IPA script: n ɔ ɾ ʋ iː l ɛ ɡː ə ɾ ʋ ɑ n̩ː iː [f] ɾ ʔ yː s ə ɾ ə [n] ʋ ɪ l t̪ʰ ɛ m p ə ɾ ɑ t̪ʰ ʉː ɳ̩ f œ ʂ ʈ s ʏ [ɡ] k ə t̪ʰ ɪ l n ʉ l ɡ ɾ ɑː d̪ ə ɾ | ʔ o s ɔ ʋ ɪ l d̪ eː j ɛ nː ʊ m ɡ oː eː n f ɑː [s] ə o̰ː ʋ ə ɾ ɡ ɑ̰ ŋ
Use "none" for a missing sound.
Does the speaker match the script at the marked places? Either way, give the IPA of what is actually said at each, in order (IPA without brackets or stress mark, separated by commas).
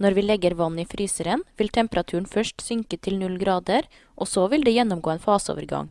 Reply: f, n, ŋ, s